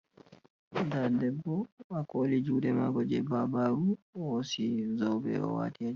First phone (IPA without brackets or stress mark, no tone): d